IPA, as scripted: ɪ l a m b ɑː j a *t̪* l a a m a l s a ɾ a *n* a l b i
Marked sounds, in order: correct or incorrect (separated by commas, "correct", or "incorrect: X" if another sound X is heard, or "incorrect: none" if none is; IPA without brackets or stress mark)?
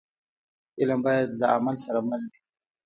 incorrect: d̪, incorrect: m